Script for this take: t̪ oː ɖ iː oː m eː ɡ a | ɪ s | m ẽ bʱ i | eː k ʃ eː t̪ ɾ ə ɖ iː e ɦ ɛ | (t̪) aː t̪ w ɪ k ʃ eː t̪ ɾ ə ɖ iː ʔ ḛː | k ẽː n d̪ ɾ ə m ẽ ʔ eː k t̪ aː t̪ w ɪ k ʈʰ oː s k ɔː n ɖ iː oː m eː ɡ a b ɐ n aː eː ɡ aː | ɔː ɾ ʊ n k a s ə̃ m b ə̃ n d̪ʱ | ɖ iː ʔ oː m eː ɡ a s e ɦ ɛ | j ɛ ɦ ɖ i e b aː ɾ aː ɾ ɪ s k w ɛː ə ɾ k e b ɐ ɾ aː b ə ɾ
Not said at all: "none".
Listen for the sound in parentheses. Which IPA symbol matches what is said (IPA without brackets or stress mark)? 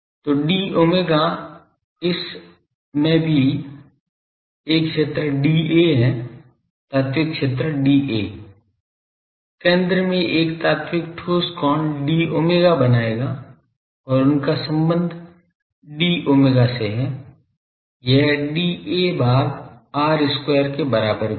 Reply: t̪